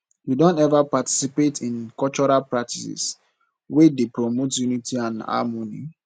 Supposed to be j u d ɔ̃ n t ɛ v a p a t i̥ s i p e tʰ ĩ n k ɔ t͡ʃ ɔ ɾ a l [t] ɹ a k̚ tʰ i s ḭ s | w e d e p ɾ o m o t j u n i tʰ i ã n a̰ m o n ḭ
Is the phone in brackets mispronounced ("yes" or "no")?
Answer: yes